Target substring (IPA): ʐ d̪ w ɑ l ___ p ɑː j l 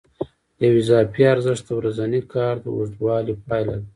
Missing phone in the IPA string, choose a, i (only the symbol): i